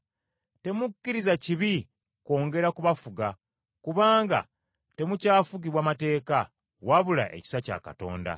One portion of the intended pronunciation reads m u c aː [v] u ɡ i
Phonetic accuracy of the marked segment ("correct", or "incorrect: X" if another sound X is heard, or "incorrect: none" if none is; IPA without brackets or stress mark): incorrect: f